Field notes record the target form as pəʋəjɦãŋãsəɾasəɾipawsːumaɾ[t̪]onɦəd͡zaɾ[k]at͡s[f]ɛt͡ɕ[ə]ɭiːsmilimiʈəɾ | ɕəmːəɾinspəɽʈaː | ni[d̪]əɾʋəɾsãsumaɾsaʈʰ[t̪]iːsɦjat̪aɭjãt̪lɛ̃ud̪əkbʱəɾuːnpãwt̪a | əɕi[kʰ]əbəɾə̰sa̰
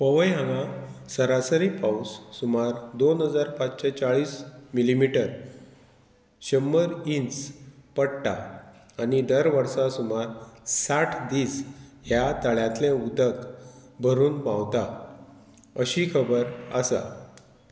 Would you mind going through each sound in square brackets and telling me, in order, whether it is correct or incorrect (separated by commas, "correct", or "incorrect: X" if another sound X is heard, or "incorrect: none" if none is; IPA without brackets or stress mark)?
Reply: incorrect: d̪, incorrect: p, incorrect: ɕ, incorrect: a, correct, incorrect: d̪, correct